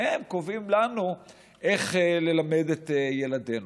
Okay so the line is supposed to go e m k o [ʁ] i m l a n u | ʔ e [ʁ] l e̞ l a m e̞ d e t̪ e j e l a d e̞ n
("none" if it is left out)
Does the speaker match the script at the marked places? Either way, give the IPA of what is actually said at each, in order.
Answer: v, χ

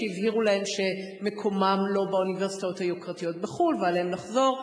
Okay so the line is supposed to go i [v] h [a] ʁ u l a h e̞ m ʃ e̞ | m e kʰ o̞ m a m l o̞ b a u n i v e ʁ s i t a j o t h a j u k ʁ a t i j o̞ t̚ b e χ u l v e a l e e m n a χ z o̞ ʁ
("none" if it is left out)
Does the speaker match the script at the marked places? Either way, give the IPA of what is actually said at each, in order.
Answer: v, i

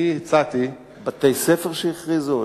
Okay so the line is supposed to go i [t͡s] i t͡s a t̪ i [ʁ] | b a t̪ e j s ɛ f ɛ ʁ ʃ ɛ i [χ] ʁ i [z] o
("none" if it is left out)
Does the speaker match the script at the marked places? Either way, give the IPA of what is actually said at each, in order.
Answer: none, none, χ, z

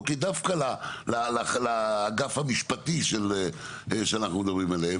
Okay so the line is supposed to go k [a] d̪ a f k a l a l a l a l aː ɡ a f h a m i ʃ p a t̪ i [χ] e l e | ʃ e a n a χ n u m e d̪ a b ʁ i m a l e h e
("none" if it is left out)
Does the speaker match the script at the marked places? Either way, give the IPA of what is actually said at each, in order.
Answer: i, ʃ

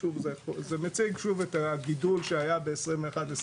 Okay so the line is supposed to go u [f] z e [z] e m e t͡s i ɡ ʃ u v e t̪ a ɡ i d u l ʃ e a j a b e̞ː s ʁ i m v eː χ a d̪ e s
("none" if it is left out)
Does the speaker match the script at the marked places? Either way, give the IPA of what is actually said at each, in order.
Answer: v, z

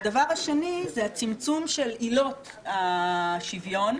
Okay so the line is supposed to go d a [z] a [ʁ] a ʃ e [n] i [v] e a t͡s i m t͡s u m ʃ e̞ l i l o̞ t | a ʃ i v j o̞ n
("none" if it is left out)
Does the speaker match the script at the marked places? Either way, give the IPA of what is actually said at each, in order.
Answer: v, ʁ, n, z

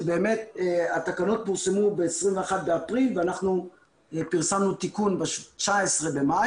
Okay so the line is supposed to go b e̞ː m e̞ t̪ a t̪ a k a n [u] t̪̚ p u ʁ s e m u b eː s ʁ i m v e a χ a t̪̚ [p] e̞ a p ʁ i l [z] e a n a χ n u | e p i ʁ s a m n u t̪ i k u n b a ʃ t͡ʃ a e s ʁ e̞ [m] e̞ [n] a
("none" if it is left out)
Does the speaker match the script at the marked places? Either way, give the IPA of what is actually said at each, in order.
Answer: o, b, v, b, m

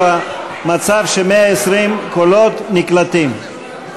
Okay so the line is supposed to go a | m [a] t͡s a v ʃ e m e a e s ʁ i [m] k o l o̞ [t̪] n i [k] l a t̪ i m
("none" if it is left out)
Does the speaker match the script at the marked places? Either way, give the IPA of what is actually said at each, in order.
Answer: a, m, t̪, k

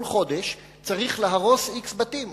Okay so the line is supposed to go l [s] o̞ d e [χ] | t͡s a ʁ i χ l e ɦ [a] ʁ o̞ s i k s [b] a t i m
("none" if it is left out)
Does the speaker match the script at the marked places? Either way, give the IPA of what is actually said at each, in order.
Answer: χ, ʃ, a, b

